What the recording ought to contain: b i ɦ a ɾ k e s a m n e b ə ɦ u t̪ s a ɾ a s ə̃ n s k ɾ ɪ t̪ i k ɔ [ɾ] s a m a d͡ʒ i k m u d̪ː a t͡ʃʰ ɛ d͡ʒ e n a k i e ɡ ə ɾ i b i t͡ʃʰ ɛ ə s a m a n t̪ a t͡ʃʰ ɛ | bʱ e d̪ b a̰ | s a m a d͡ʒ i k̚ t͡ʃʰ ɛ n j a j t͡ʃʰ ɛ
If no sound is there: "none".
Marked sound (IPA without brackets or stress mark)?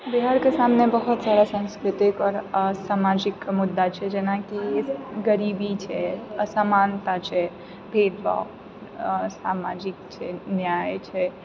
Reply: ɾ